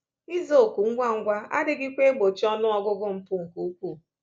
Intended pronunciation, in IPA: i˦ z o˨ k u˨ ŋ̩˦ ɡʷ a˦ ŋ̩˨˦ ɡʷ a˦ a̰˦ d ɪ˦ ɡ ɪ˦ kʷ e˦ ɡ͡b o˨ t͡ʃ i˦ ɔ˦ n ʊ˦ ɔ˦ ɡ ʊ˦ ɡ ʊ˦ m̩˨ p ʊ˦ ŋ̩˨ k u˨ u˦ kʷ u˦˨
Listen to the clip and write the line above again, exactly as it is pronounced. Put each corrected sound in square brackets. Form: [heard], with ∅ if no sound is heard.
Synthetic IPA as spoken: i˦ z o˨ k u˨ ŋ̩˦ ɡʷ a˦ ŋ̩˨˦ ɡʷ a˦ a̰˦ d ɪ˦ ɡ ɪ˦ kʷ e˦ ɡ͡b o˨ t͡ʃ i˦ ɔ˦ n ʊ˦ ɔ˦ ɡ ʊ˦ ɡ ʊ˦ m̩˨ p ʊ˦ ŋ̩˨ k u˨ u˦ kʷ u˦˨